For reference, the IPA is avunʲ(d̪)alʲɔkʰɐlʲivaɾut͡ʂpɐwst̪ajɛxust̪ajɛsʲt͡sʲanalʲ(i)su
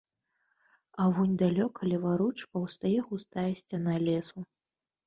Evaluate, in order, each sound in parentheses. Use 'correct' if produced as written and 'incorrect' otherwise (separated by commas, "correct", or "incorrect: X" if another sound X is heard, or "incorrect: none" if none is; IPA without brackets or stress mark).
correct, incorrect: ɛ